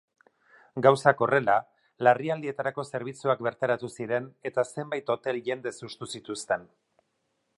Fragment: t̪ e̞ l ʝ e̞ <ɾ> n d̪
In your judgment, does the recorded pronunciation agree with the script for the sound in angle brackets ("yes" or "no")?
no